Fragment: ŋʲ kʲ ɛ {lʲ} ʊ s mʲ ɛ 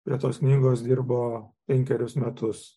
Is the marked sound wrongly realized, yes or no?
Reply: yes